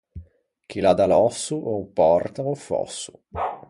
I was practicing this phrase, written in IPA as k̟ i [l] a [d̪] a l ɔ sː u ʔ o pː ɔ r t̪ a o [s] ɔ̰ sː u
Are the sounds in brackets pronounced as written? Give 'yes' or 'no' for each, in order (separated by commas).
yes, yes, no